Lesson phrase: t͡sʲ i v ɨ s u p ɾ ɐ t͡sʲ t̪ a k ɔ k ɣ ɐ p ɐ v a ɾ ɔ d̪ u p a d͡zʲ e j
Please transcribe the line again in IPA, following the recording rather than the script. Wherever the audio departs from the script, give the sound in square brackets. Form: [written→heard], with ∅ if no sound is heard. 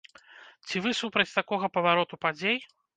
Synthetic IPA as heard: t͡sʲ i v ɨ s u p ɾ ɐ t͡sʲ t̪ a k ɔ [k→∅] ɣ ɐ p ɐ v a ɾ ɔ [d̪→t̪] u p a d͡zʲ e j